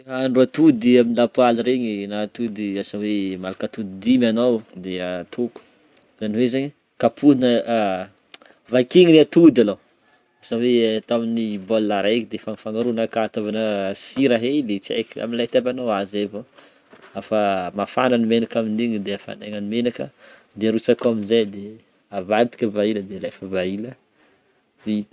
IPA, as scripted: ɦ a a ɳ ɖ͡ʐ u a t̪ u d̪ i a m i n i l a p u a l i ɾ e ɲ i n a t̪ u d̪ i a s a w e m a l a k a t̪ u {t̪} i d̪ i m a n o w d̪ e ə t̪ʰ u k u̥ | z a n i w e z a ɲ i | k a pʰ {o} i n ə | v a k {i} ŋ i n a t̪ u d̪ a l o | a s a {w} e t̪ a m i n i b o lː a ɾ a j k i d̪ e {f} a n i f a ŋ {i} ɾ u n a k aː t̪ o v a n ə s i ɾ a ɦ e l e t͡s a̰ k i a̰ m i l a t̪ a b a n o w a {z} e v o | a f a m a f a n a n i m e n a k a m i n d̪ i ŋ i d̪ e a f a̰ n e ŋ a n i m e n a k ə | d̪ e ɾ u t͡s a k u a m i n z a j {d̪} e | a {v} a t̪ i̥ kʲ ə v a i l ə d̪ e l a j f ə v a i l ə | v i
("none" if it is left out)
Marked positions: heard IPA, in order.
d̪, u, i, w, f, a, z, d̪, v

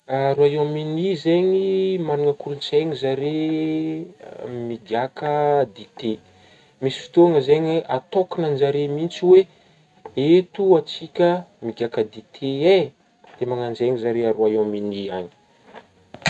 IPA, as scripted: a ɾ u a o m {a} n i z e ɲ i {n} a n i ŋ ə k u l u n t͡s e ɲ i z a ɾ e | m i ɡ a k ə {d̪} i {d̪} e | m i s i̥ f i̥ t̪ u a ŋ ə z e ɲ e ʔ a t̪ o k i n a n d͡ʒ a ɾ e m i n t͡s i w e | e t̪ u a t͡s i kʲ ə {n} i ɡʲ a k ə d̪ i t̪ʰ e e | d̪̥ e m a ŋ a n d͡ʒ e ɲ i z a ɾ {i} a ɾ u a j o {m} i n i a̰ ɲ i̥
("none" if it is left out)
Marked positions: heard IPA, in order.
i, m, d̪, t̪, m, e, m

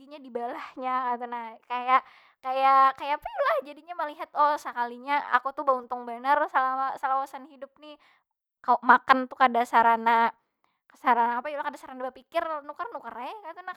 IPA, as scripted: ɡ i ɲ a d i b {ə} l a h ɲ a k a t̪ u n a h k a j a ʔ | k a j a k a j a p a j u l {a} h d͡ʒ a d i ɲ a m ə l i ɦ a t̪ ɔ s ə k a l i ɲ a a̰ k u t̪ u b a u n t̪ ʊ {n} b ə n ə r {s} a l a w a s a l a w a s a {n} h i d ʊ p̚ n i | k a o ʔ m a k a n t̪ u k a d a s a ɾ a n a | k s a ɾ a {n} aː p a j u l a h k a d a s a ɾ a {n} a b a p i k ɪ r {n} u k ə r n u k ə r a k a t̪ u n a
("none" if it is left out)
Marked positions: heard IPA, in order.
a, a, ŋ, s, n, n, n, n

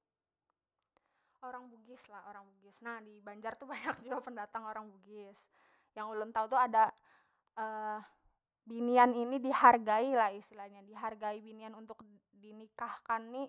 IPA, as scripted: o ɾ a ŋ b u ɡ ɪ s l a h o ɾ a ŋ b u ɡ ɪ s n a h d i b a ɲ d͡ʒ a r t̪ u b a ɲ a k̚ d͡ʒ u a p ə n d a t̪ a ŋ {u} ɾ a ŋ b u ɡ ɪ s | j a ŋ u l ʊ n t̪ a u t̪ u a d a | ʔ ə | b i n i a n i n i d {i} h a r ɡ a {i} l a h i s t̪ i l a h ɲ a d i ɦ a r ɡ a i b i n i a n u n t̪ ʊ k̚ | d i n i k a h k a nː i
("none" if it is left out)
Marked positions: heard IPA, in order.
o, i, i

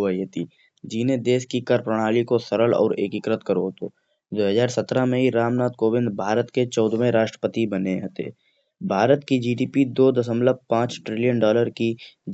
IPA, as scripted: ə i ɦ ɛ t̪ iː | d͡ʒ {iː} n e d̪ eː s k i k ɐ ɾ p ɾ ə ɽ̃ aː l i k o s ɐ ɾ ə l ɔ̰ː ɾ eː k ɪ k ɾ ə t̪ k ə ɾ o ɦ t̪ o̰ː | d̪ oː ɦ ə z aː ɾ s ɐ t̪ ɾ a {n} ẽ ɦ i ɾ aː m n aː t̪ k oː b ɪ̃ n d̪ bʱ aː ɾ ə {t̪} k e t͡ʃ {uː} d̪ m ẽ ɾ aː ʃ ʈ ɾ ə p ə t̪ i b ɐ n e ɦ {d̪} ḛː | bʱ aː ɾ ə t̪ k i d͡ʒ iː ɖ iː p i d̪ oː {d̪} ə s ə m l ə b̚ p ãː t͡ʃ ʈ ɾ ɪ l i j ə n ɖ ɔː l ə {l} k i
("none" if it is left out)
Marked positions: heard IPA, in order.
iː, m, t̪, ɔː, t̪, d̪, ɾ

